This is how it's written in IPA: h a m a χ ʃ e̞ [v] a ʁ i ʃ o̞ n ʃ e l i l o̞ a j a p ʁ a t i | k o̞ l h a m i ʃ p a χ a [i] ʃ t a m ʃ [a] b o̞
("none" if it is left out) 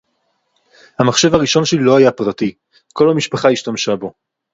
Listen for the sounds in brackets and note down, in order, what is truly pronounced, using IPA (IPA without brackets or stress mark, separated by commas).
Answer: v, i, a